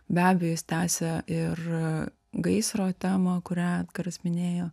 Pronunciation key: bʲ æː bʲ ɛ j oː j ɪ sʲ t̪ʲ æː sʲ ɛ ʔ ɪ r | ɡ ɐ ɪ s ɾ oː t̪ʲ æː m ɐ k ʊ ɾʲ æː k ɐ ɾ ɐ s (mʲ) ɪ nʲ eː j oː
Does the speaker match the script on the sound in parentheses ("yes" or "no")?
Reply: yes